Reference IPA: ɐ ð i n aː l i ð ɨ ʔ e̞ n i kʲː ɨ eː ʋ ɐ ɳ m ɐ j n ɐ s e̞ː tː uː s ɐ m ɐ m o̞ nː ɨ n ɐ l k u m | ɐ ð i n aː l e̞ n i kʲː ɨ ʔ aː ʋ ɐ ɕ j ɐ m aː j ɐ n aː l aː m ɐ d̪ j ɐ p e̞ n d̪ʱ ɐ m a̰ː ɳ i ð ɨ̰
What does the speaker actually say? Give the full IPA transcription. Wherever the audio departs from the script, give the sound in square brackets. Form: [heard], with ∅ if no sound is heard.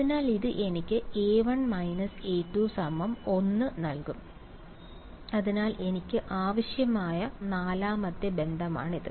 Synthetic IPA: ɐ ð i n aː l i ð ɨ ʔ e̞ n i kʲː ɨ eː ʋ ɐ ɳ m ɐ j n ɐ s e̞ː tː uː s ɐ m ɐ m o̞ nː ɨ n ɐ l k u m | ɐ ð i n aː l e̞ n i kʲː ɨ ʔ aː ʋ ɐ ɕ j ɐ m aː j ɐ n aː l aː m ɐ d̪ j ɐ [b] e̞ n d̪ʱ ɐ m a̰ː ɳ i ð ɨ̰